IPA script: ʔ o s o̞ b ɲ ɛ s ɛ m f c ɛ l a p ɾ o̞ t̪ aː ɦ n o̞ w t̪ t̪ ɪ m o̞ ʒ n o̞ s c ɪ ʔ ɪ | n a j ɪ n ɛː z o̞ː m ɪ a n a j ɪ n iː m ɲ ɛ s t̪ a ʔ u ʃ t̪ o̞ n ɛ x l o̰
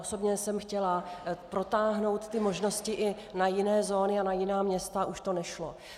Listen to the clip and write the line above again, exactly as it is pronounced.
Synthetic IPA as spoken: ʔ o s o̞ b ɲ ɛ s ɛ m x c ɛ l a p ɾ o̞ t̪ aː ɦ n o̞ w t̪ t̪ ɪ m o̞ ʒ n o̞ s c ɪ ʔ ɪ | n a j ɪ n ɛː z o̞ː n ɪ a n a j ɪ n aː m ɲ ɛ s t̪ a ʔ u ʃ t̪ o̞ n ɛ ʃ l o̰